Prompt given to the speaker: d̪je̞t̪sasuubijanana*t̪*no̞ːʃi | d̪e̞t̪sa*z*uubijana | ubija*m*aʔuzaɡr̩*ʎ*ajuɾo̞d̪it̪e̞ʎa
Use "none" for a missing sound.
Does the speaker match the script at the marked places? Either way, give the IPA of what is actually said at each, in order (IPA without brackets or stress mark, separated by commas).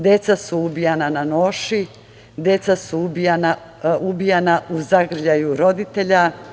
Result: none, s, n, ʎ